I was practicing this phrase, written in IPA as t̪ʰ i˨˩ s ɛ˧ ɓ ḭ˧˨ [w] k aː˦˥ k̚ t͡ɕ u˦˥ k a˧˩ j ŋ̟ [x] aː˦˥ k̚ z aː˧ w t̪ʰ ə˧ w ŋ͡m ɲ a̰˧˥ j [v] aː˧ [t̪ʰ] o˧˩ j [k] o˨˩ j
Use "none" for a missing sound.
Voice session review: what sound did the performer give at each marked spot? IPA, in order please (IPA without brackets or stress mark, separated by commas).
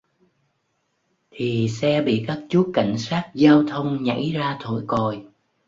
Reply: none, s, z, t̪ʰ, k